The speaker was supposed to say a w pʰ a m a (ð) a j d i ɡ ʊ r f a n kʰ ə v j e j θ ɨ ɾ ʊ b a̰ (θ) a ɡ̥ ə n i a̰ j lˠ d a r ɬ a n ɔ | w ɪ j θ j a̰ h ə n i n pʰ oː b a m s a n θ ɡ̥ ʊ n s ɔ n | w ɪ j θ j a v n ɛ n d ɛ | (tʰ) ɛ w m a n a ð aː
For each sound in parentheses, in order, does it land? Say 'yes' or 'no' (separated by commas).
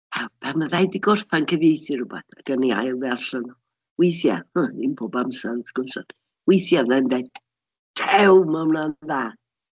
yes, yes, yes